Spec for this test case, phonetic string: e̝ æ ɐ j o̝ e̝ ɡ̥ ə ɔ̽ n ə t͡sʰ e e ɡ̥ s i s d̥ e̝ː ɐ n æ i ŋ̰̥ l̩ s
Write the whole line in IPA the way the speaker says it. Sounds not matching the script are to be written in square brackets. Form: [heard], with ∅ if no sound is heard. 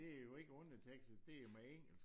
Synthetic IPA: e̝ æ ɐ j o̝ e̝ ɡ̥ ə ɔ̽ n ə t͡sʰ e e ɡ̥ s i s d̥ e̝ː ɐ [m] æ [e] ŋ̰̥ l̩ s

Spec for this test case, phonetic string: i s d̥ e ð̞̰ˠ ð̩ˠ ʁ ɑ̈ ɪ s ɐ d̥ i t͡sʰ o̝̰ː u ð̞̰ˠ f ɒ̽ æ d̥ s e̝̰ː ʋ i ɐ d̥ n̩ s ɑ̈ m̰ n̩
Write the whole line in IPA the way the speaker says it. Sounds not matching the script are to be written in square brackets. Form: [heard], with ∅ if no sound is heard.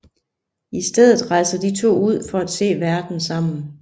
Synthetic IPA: i s d̥ e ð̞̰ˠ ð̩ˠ ʁ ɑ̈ ɪ s ɐ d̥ i t͡sʰ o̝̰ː u ð̞̰ˠ f ɒ̽ æ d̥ s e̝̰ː ʋ [æ] ɐ d̥ n̩ s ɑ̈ m̰ n̩

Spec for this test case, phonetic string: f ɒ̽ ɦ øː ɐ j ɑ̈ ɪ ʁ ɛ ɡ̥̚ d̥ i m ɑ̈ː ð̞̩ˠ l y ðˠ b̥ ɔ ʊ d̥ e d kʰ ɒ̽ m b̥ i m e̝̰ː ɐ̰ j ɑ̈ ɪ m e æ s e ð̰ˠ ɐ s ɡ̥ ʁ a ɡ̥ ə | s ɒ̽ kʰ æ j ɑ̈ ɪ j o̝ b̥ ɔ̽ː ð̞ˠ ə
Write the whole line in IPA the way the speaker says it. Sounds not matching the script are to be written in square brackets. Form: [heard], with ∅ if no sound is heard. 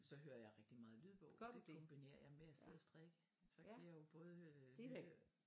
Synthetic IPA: [s] ɒ̽ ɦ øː ɐ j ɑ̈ ɪ ʁ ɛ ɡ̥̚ d̥ i m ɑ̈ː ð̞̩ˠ l y ðˠ b̥ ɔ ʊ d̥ e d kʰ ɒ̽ m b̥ i [n] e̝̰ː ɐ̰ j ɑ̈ ɪ m e æ s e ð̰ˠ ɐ s [d̥] ʁ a ɡ̥ ə | s ɒ̽ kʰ æ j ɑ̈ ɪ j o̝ b̥ ɔ̽ː ð̞ˠ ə

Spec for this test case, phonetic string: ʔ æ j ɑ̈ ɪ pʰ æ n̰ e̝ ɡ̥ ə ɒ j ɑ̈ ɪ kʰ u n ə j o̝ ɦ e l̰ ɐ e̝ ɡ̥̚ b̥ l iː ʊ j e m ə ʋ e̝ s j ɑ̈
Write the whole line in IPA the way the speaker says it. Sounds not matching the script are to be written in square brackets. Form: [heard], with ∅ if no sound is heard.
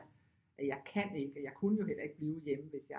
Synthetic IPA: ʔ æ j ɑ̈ ɪ [kʰ] æ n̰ e̝ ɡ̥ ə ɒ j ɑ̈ ɪ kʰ u n ə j o̝ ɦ e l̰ ɐ e̝ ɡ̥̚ b̥ l iː ʊ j e m ə ʋ e̝ s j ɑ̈

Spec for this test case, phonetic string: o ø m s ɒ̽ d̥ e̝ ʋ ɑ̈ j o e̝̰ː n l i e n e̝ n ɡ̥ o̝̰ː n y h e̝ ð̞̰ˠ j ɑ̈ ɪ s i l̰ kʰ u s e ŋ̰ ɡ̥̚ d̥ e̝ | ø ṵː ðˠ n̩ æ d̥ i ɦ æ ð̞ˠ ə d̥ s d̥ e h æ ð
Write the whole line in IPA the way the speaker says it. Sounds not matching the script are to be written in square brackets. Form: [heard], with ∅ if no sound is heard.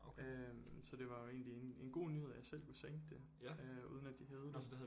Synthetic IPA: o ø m s ɒ̽ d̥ e̝ ʋ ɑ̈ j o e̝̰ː n l i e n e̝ n ɡ̥ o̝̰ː n y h e̝ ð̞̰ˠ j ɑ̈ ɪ s [e] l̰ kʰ u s e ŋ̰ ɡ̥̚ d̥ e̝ | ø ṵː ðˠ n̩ æ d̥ i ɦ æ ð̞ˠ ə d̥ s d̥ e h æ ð

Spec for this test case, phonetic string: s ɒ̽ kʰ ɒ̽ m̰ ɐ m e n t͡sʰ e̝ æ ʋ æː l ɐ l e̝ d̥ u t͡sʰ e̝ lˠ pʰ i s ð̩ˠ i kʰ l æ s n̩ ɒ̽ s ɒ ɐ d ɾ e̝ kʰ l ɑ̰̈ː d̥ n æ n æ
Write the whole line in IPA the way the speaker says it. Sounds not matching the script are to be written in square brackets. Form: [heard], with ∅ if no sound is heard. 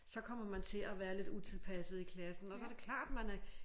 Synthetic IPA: s ɒ̽ kʰ ɒ̽ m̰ ɐ m [æ] n t͡sʰ e̝ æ ʋ æː [∅] ɐ l e̝ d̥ u t͡sʰ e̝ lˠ pʰ [æ] s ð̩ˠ i kʰ l æ s n̩ ɒ̽ s ɒ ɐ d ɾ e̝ kʰ l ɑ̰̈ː d̥ [m] æ n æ

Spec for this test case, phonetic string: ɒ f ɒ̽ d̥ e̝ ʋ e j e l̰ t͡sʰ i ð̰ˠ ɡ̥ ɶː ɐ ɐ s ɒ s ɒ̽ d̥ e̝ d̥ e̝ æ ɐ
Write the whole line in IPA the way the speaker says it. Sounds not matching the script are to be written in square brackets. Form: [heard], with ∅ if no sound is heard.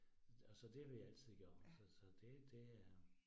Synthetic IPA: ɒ [s] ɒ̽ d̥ e̝ ʋ e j [æ] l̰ t͡sʰ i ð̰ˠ ɡ̥ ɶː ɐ ɐ s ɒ s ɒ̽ d̥ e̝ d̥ e̝ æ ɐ

